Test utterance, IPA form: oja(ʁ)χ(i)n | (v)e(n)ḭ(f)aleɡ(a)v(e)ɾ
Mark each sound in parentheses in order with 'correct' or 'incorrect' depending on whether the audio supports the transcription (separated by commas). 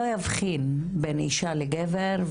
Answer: incorrect, correct, incorrect, correct, incorrect, incorrect, correct